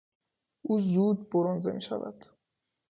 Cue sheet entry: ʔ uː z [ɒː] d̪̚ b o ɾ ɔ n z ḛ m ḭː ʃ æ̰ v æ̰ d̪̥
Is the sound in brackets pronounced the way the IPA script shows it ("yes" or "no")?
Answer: no